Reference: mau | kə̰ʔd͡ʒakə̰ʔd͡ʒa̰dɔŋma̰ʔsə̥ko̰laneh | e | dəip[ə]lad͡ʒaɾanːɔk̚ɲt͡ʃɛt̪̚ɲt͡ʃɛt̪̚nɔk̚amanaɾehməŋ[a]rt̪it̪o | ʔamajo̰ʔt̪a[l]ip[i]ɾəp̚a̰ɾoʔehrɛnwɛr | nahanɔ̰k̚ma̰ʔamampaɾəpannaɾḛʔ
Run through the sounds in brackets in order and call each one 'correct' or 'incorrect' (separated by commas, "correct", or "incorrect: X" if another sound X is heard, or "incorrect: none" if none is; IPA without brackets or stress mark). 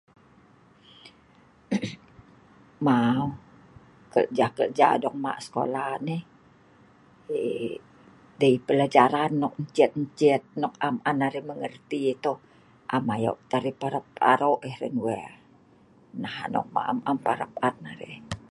correct, incorrect: ə, incorrect: ɾ, incorrect: a